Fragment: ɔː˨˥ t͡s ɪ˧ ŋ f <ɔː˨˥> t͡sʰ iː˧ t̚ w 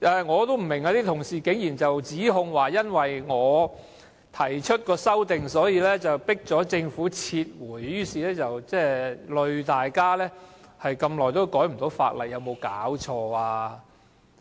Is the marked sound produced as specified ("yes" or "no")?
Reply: no